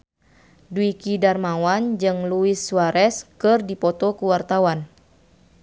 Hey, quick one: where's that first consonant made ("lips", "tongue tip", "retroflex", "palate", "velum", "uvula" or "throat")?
tongue tip